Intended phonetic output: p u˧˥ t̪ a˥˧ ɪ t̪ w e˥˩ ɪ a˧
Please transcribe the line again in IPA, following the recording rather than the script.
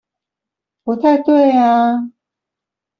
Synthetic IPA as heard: p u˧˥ t̪ʰ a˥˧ ɪ t̪ w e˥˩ ɪ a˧

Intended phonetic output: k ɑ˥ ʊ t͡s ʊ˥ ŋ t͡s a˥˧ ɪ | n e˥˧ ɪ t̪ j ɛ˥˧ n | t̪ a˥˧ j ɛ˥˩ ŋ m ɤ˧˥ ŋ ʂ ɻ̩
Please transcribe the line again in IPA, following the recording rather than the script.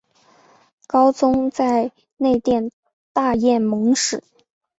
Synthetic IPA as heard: k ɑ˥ ʊ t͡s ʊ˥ ŋ t͡s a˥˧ ɪ | n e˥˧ ɪ t̪ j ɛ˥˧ n | t̪ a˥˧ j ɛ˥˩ n m ɤ˧˥ ŋ ʂ ɻ̩

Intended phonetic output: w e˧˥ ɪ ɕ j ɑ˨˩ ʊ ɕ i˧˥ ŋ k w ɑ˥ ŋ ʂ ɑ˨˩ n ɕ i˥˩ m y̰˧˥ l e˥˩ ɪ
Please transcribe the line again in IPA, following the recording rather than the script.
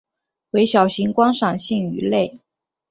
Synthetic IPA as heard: w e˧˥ ɪ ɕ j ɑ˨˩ ʊ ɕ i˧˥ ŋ k w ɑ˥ ŋ ʂ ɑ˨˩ ŋ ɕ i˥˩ ŋ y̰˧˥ l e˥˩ ɪ

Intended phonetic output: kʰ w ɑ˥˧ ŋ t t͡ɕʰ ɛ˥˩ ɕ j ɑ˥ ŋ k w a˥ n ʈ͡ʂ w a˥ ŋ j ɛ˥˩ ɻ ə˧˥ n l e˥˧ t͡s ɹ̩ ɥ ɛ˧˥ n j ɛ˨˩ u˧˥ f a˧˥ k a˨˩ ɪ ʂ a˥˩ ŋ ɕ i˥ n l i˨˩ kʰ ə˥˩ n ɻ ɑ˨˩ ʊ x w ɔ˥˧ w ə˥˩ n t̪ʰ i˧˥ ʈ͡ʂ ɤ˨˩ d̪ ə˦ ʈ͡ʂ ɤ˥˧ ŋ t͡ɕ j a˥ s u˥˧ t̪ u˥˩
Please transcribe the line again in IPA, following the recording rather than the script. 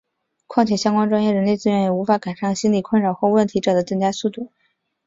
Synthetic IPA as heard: kʰ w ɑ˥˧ ŋ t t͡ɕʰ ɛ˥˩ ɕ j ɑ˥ ŋ k w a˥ n ʈ͡ʂ w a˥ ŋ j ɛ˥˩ ɻ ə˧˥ n l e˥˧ t͡s ɹ̩ ɥ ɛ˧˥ n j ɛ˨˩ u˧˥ f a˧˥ k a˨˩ ɪ ʂ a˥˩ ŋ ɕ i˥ n l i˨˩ kʰ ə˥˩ n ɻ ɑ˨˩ ʊ x w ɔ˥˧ w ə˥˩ n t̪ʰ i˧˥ ʈ͡ʂ ɤ˨˩ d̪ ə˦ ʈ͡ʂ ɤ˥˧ ŋ t͡ɕ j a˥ s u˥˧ t̪ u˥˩

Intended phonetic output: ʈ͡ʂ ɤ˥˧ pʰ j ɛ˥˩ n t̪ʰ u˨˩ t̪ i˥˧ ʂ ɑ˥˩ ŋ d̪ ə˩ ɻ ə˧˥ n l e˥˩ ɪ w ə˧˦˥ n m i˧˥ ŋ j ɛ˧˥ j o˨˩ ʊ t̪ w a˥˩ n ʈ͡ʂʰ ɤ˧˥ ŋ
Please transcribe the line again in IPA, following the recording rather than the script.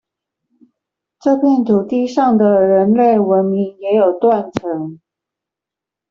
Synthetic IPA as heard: ʈ͡ʂ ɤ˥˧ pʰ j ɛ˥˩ n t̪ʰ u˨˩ t̪ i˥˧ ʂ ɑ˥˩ ŋ d̪ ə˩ ɻ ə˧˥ n l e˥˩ ɪ w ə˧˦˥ n m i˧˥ ŋ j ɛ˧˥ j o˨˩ ʊ t̪ w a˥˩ n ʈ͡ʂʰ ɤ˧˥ ŋ

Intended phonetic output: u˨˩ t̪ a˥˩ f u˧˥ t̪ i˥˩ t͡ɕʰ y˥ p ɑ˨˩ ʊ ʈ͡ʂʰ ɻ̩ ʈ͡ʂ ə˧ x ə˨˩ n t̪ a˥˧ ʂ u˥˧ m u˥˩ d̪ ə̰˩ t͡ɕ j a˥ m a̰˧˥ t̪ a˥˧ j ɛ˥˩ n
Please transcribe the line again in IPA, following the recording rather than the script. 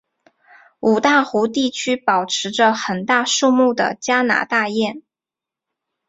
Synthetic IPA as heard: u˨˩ t̪ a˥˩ x u˧˥ t̪ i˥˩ t͡ɕʰ y˥ p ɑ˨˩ ʊ ʈ͡ʂʰ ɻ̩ ʈ͡ʂ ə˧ x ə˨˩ n t̪ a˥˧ ʂ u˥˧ m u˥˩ d̪ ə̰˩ t͡ɕ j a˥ n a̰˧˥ t̪ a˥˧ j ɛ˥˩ n

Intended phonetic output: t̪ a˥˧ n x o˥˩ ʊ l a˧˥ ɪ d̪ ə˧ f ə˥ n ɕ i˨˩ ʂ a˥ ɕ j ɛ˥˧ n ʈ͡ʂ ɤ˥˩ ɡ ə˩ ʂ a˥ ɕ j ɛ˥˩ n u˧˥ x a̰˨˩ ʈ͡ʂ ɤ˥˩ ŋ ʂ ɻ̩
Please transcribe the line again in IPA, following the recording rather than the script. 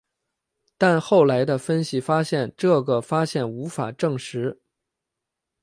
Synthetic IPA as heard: t̪ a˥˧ n x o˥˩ ʊ l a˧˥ ɪ d̪ ə˧ f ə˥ n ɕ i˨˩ f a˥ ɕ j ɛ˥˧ n ʈ͡ʂ ɤ˥˩ ɡ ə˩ f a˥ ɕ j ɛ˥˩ n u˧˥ f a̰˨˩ ʈ͡ʂ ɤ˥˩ ŋ ʂ ɻ̩

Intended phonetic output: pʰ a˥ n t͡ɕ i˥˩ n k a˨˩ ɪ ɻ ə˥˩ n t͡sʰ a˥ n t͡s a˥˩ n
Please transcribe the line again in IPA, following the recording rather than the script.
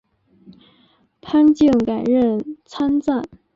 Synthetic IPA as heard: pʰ a˥ n t͡ɕ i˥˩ ŋ k a˨˩ ɪ ɻ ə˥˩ n t͡sʰ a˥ n t͡s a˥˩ n

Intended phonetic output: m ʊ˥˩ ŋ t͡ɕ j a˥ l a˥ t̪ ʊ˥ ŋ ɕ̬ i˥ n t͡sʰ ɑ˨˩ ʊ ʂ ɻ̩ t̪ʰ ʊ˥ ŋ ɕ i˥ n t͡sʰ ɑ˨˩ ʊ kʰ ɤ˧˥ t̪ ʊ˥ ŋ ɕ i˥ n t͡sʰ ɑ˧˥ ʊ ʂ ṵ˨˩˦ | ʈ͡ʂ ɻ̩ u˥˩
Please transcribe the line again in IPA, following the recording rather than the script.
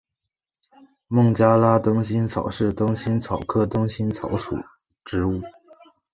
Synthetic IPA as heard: m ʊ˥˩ ŋ t͡ɕ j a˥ l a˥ t̪ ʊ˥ ŋ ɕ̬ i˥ n t͡sʰ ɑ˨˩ ʊ ʂ ɻ̩ t̪ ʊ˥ ŋ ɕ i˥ n t͡sʰ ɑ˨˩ ʊ kʰ ɤ˥˩ t̪ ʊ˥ ŋ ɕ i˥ n t͡sʰ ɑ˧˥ ʊ ʂ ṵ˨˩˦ | ʈ͡ʂ ɻ̩ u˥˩

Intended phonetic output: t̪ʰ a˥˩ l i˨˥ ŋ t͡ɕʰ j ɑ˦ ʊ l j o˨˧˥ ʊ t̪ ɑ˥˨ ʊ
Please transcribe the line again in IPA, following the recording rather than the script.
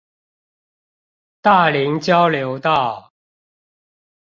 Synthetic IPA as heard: t̪ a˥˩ l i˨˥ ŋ t͡ɕ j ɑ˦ ʊ l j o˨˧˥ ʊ t̪ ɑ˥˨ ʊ

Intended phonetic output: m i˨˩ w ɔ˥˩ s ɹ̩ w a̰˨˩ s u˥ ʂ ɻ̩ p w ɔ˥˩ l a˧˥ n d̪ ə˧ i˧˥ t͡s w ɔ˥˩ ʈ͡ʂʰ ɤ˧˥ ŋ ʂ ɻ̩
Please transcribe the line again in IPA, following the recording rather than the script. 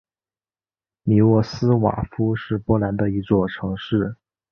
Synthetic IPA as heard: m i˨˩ w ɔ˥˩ s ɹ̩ w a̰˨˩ f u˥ ʂ ɻ̩ p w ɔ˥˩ l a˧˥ n d̪ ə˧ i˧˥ t͡s w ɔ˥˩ ʈ͡ʂʰ ɤ˧˥ ŋ ʂ ɻ̩

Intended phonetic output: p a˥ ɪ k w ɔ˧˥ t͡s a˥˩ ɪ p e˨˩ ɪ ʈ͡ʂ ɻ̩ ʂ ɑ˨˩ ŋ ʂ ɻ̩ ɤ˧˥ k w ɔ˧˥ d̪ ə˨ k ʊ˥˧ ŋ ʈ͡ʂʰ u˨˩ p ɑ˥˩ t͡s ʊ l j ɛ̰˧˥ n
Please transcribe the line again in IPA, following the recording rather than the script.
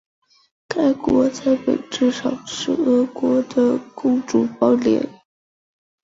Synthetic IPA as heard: k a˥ ɪ k w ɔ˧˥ t͡s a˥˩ ɪ p e˨˩ ɪ ʈ͡ʂ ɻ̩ ʂ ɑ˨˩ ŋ ʂ ɻ̩ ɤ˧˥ k w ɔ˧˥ d̪ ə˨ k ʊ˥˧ ŋ ʈ͡ʂ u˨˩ p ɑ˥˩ ʊ l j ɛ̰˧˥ n

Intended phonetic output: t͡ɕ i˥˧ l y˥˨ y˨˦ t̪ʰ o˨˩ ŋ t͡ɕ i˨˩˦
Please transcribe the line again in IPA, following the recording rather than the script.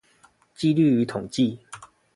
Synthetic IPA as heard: t͡ɕ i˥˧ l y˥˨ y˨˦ t̪ʰ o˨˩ ŋ t͡ɕ i˥˨

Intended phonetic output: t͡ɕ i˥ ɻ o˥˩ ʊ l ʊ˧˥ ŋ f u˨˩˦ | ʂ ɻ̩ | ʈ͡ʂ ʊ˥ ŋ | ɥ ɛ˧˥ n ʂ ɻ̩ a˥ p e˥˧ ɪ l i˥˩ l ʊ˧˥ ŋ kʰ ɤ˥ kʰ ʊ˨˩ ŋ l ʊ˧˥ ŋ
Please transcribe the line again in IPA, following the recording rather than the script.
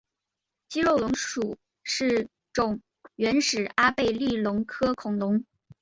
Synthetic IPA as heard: t͡ɕ i˥ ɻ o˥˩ ʊ l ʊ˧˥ ŋ ʂ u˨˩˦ | ʂ ɻ̩ | ʈ͡ʂ ʊ˨˩ ŋ | ɥ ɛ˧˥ n ʂ ɻ̩ a˥ p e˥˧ ɪ l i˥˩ l ʊ˧˥ ŋ kʰ ɤ˥ kʰ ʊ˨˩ ŋ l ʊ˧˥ ŋ

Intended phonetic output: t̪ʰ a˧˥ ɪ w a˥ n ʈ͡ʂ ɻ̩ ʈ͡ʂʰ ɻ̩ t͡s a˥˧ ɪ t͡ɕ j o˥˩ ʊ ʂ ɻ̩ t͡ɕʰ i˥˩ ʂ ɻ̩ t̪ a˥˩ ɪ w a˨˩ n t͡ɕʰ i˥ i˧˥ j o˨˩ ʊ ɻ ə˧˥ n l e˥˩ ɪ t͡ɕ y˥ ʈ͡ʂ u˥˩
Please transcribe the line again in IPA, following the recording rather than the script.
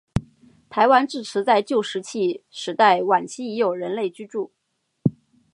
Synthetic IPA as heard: t̪ʰ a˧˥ ɪ w a˥ n ʈ͡ʂ ɻ̩ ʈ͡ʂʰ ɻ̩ t͡s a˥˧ ɪ t͡ɕ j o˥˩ ʊ ʂ ɻ̩ t͡ɕʰ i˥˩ ʂ ɻ̩ t̪ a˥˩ ɪ w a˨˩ n t͡ɕʰ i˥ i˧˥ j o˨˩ ʊ ɻ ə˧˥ n l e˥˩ ɪ t͡ɕ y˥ ʈ͡ʂ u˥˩

